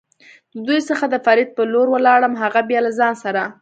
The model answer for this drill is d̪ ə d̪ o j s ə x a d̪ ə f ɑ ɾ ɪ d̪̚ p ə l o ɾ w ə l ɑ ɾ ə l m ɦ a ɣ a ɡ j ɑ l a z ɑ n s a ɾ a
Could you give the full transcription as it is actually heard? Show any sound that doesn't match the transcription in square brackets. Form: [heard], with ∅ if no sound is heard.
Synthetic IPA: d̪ ə d̪ [u] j s ə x a d̪ ə f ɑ ɾ ɪ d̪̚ p ə l o ɾ w ə l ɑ [ɽ] ə [∅] m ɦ a ɣ a [b] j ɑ l a z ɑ n s a ɾ a